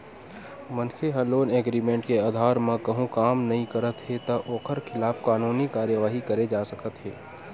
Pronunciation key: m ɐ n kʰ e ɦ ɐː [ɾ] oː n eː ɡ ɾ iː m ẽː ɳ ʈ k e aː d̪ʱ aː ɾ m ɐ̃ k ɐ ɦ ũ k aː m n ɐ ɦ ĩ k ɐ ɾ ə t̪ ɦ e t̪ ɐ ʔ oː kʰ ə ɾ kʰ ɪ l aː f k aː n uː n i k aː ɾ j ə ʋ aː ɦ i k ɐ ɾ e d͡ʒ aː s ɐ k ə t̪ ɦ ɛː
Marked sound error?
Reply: yes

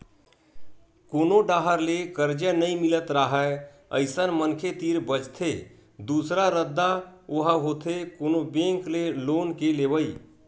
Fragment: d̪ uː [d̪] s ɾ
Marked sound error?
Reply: yes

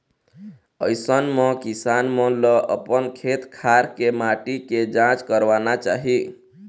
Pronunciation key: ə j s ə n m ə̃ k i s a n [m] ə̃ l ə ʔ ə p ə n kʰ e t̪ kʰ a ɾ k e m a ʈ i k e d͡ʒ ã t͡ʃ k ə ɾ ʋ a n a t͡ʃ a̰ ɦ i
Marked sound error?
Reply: no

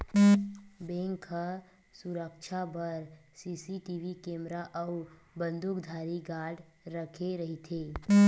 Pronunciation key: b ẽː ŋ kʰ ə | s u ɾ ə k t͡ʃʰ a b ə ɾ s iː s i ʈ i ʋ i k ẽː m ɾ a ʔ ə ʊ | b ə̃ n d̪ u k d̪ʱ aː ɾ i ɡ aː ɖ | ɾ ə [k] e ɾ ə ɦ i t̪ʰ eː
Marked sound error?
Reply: yes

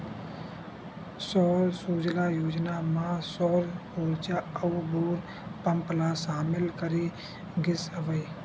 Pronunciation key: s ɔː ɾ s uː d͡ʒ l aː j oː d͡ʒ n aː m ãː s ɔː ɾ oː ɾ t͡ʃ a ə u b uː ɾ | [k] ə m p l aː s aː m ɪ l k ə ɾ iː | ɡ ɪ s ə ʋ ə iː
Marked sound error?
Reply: yes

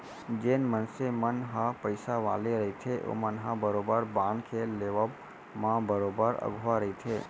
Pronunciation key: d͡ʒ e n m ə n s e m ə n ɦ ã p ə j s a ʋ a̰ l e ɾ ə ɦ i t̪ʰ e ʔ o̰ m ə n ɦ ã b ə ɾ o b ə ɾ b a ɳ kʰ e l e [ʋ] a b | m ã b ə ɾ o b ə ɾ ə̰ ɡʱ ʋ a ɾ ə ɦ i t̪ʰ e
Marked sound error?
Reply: no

